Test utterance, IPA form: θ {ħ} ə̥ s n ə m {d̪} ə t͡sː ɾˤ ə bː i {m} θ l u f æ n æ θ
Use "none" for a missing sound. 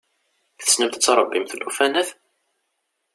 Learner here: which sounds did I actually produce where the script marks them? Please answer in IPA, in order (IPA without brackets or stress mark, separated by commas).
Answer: θ, t̪, m